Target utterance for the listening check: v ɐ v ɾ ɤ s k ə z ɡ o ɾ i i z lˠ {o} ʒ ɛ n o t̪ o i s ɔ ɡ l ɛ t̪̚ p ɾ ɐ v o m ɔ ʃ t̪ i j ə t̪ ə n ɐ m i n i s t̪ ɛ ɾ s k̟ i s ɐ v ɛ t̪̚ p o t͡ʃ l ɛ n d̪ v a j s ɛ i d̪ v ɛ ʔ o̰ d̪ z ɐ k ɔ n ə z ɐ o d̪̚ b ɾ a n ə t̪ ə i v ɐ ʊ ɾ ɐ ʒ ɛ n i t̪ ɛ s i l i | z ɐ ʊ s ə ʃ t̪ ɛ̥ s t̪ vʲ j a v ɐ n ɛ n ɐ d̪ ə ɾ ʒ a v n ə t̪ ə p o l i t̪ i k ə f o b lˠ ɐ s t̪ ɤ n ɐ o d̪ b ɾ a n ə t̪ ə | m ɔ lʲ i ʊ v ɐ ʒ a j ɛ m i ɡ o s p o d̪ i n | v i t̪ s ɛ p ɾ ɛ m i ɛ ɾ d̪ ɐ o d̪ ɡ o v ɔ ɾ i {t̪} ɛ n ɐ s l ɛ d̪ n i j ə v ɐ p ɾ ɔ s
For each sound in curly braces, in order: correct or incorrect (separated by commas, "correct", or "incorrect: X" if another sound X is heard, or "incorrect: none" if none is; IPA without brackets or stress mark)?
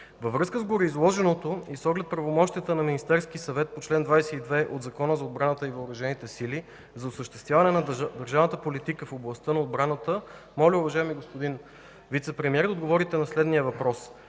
incorrect: ɔ, correct